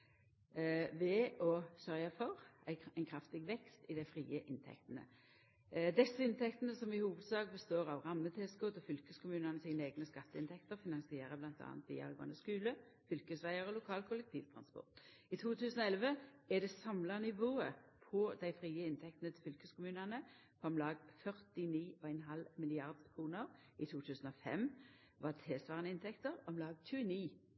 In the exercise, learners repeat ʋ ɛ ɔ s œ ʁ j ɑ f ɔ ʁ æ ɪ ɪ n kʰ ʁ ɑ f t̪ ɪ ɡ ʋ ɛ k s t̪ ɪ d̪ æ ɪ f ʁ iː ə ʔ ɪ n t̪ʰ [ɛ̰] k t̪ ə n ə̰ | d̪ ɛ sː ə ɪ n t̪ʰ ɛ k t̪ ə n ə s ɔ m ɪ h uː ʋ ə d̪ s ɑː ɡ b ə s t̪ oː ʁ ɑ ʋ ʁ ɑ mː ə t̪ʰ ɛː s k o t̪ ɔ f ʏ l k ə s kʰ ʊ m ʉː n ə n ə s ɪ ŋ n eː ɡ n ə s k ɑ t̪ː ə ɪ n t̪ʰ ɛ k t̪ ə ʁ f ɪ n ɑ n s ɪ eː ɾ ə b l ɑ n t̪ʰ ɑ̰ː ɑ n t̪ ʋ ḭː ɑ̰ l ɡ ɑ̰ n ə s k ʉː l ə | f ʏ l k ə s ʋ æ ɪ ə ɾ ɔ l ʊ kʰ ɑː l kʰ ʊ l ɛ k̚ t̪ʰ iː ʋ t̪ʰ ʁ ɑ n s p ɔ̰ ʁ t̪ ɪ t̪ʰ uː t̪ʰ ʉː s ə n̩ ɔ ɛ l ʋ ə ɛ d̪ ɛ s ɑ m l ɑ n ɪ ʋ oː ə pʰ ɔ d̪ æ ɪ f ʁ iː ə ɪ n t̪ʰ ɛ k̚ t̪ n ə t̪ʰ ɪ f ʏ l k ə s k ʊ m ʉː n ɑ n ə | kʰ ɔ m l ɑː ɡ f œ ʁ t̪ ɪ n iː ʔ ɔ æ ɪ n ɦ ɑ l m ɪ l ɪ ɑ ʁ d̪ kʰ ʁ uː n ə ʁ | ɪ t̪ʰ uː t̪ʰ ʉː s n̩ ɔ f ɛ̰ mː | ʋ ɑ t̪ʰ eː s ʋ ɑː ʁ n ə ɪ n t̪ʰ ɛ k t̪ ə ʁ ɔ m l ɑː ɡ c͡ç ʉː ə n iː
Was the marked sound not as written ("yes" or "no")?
no